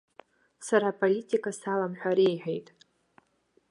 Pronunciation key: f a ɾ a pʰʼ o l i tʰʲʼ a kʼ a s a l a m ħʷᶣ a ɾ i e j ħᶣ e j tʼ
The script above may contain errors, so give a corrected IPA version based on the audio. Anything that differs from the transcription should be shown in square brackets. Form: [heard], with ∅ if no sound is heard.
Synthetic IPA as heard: [s] a ɾ a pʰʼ o l i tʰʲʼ [i] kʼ a s a l a m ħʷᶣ a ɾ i e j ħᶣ e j tʼ